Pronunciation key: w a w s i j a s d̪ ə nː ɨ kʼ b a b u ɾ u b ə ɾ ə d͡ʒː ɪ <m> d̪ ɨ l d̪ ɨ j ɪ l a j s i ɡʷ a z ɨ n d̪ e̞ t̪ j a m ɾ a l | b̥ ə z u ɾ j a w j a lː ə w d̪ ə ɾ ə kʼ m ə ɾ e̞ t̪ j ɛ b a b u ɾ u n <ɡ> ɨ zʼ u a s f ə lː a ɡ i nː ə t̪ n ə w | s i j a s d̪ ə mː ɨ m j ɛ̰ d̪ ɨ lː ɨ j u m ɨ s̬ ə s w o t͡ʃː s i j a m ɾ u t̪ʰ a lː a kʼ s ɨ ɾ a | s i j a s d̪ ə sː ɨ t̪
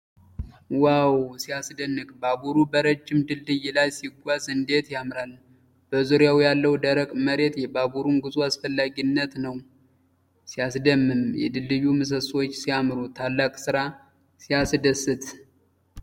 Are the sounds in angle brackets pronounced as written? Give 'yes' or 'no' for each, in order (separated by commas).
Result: yes, yes